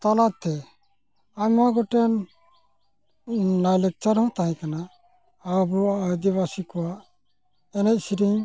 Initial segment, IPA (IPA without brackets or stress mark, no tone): t̪